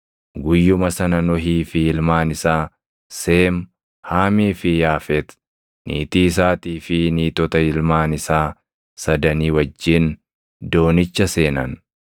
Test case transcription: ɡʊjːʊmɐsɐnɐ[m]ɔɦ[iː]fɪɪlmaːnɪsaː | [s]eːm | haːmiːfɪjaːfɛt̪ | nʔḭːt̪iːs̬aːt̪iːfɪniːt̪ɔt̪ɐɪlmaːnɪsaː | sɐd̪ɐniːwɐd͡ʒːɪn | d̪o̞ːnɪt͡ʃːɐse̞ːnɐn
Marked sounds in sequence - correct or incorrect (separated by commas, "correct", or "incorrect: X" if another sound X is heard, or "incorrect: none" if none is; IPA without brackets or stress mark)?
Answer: incorrect: n, correct, correct